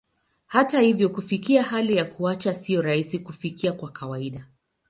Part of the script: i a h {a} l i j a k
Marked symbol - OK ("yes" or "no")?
yes